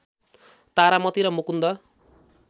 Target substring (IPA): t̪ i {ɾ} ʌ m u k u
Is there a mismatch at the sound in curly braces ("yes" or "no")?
no